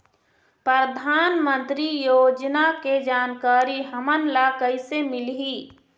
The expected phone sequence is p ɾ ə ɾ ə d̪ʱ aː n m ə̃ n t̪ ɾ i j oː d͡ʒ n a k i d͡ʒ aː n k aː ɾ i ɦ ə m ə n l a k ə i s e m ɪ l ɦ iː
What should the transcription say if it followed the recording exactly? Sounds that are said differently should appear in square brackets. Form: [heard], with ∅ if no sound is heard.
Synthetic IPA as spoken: p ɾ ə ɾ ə d̪ʱ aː n m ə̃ n t̪ ɾ i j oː d͡ʒ n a k [e] d͡ʒ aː n k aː ɾ i ɦ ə m ə n l a k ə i s e m ɪ l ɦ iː